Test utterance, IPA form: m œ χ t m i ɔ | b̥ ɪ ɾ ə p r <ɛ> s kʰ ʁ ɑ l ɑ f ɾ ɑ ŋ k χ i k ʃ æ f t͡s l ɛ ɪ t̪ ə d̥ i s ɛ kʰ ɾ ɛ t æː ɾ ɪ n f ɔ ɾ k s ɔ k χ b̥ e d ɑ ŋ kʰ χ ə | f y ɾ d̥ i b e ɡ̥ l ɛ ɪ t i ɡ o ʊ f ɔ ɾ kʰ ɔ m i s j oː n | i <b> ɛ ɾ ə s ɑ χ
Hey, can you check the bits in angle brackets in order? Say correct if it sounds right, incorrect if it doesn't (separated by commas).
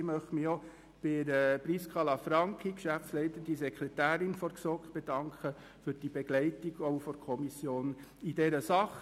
incorrect, incorrect